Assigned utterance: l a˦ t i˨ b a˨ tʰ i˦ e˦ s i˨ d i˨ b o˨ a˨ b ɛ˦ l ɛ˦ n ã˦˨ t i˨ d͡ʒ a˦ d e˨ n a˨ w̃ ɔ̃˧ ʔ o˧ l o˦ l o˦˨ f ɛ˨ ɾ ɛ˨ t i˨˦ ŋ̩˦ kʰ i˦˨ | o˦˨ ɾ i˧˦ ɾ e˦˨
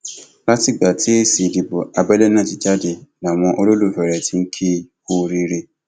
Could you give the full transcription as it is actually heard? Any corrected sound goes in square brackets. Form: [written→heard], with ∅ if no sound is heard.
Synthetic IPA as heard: l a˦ t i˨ [b→ɡ͡b] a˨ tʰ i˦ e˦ s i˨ d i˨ b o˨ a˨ b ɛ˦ l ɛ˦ n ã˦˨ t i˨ d͡ʒ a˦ d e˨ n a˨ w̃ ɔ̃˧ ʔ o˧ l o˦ l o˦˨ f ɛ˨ ɾ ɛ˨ t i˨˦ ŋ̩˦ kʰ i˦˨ | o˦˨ ɾ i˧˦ ɾ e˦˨